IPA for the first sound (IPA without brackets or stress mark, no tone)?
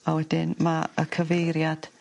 a